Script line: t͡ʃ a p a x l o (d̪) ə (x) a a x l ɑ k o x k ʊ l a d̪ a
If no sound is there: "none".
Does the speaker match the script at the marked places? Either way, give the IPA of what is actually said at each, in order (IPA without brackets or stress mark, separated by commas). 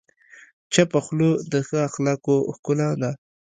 d̪, x